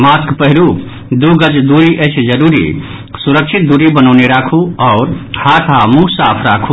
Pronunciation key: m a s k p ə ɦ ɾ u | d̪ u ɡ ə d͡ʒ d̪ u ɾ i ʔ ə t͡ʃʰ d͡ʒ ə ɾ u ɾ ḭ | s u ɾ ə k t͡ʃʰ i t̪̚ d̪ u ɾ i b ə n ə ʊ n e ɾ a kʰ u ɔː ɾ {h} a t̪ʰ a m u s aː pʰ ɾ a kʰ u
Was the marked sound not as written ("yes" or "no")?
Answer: no